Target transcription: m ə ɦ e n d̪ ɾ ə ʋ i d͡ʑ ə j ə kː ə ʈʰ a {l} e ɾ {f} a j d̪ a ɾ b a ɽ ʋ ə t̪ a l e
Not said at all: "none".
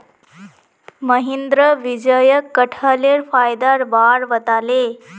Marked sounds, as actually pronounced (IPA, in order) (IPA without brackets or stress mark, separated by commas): l, f